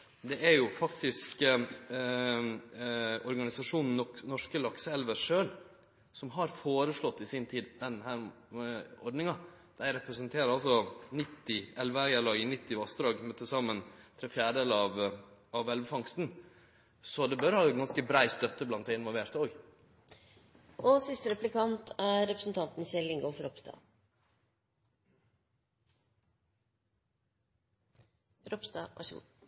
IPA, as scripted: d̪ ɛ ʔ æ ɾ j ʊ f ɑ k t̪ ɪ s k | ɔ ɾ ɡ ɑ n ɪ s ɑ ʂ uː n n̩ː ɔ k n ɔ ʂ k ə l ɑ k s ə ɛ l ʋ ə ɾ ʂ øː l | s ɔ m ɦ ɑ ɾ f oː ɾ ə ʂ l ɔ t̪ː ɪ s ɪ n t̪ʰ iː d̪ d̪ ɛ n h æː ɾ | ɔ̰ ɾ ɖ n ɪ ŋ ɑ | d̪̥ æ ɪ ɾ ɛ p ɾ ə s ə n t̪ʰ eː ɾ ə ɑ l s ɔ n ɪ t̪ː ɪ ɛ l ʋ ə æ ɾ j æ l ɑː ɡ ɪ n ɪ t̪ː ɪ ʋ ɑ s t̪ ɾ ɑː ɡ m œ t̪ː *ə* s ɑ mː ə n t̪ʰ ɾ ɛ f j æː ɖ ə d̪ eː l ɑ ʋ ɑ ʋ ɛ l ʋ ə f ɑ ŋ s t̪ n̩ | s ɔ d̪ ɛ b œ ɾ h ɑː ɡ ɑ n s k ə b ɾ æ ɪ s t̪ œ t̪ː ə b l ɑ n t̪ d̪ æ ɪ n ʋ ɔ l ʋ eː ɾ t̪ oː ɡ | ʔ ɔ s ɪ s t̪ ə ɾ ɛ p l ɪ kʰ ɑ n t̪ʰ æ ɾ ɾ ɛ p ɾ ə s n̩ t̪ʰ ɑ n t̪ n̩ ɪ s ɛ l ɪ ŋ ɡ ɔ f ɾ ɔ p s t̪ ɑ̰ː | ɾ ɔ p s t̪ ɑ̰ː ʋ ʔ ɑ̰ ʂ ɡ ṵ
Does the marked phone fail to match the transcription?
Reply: no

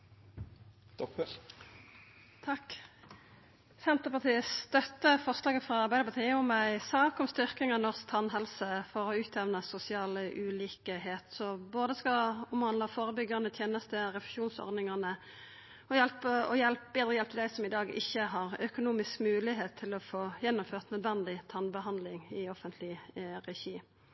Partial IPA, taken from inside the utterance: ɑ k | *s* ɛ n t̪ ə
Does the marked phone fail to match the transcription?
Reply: no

